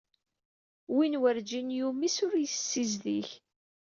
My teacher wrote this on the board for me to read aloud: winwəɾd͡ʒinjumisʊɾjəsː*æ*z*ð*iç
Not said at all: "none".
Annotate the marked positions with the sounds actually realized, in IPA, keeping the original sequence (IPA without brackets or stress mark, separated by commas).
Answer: i, ð